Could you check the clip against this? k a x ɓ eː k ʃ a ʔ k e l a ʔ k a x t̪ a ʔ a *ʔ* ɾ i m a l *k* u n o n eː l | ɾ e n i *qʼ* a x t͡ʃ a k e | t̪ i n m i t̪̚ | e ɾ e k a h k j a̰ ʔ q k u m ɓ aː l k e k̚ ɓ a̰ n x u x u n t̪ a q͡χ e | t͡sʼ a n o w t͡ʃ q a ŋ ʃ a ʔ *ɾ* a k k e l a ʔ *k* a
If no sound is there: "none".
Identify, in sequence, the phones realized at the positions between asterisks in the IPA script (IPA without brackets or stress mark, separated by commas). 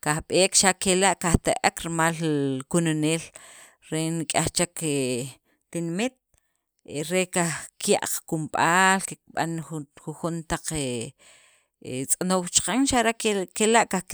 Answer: k, k, kʼ, ɾ, k